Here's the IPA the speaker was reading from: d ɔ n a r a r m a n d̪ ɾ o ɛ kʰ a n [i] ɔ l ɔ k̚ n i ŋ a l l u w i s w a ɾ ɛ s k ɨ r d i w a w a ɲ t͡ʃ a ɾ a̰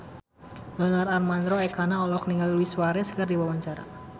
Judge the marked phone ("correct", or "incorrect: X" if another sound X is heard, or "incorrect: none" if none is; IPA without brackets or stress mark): incorrect: a